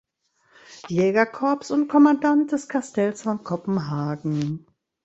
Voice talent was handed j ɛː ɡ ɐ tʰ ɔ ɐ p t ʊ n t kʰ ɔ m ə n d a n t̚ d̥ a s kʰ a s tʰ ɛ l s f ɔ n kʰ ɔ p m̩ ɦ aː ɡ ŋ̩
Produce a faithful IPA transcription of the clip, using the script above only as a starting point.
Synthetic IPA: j ɛː ɡ ɐ kʰ ɔ ɐ p s ʊ n t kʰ ɔ m a n d a n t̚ d̥ ɛ s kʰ a s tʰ ɛ l s f ɔ n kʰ ɔ p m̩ ɦ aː ɡ ŋ̩